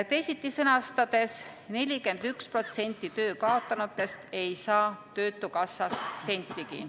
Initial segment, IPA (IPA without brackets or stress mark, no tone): t̪